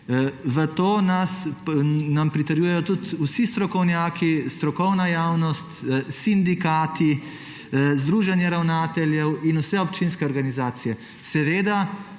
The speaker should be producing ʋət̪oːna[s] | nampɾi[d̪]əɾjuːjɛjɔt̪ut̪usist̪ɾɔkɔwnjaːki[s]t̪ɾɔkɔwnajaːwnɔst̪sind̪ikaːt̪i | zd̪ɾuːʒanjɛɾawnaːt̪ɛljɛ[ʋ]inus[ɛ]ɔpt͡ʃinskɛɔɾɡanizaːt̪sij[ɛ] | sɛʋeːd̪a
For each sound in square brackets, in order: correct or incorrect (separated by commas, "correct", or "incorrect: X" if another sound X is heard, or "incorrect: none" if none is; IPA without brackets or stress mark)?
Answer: correct, incorrect: t̪, correct, incorrect: w, correct, correct